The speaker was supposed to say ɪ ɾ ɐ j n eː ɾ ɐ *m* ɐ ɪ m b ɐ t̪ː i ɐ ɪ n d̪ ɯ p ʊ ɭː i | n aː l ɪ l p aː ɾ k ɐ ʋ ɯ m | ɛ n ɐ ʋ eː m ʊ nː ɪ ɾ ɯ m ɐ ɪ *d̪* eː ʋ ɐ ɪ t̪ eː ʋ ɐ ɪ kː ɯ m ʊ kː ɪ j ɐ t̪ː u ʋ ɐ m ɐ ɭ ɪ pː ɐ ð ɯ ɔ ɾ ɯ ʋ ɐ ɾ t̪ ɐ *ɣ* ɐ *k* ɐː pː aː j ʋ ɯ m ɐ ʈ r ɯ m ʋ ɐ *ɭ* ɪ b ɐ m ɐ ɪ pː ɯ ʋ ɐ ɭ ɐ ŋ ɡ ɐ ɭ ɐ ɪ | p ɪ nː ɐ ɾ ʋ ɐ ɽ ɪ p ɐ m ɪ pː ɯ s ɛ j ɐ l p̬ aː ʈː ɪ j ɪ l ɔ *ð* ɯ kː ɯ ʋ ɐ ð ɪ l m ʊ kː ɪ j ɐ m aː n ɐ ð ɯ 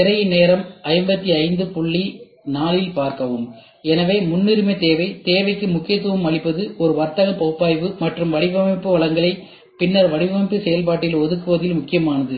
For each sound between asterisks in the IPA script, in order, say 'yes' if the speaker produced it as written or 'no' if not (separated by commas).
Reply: yes, no, yes, no, no, yes